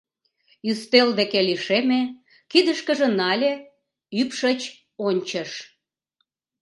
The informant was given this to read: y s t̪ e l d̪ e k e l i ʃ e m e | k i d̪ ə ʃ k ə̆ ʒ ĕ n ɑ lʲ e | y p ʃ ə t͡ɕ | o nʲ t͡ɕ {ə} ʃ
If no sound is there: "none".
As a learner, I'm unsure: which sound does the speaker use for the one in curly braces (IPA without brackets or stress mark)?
ə